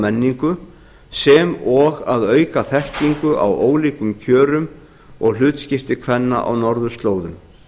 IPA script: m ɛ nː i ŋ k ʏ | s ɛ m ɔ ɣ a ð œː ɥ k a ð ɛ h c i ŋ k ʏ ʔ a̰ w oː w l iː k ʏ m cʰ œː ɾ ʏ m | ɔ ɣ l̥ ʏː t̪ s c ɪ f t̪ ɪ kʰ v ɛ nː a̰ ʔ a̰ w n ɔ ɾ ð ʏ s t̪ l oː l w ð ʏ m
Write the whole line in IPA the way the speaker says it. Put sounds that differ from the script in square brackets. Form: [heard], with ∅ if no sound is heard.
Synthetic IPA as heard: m ɛ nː i ŋ k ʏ | s ɛ m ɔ ɣ a ð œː ɥ k a [θ] ɛ h c i ŋ k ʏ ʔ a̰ w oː w l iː k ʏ m cʰ œː ɾ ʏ m | ɔ ɣ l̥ ʏː t̪ s c ɪ f t̪ ɪ kʰ v ɛ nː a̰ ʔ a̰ w n ɔ ɾ ð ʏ s t̪ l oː [∅] w ð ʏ m